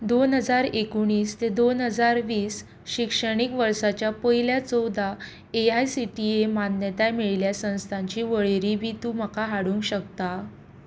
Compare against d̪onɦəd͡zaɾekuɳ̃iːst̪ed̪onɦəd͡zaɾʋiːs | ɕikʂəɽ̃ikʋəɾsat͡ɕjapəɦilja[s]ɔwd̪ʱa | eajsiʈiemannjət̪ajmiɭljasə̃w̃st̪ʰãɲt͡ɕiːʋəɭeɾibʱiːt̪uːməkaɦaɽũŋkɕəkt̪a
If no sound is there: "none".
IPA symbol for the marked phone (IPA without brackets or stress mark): t͡s